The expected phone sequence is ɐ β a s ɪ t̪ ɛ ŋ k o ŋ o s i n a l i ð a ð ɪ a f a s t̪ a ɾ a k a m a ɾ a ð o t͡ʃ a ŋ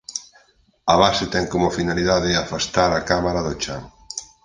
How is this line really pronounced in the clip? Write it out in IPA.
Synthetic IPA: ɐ β a s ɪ t̪ ɛ ŋ k o m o f i n a l i ð a ð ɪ a f a s t̪ a ɾ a k a m a ɾ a ð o t͡ʃ a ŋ